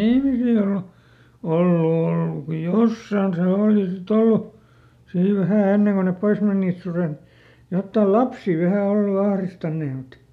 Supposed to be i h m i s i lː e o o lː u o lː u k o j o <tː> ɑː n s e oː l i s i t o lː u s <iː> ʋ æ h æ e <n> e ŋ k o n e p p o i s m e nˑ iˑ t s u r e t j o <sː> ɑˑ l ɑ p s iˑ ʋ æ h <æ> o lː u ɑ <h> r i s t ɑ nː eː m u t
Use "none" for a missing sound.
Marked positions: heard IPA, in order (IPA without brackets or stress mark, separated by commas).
sː, iː, nː, tː, æ, h